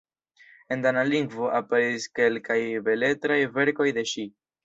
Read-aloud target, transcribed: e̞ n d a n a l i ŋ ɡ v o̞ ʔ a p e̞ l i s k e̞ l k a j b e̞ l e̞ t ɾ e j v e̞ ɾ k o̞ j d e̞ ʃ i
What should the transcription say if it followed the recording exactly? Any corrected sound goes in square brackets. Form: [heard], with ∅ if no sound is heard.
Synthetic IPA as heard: e̞ n d a n a l i ŋ ɡ v o̞ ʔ a p e̞ [ɾ] i s k e̞ l k a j b e̞ l e̞ t ɾ [a] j v e̞ ɾ k o̞ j d e̞ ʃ i